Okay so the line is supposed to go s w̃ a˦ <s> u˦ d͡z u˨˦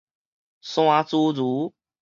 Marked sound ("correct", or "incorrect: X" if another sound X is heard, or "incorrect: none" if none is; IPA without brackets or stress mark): incorrect: t͡s